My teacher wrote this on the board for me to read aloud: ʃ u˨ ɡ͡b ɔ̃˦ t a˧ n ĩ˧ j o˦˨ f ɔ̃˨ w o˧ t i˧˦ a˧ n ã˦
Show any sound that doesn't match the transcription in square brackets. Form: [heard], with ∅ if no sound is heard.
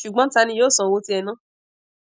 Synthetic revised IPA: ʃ u˨ ɡ͡b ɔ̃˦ t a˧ n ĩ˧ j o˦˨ [s] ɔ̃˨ w o˧ t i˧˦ [ɛ˧] n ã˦